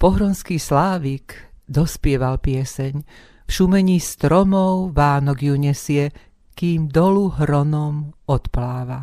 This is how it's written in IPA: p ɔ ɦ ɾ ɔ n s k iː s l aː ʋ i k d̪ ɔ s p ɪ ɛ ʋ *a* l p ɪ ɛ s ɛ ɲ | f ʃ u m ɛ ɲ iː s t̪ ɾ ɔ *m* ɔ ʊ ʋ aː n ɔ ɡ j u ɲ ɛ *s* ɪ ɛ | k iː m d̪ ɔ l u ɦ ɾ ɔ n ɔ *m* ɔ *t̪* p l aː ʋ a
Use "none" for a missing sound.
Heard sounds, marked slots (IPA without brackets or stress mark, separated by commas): a, m, s, m, t̪